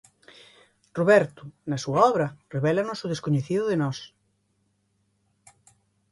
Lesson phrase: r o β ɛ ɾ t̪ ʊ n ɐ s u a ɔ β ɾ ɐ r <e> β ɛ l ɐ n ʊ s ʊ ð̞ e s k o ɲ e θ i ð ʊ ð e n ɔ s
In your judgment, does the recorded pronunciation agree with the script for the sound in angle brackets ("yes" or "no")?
yes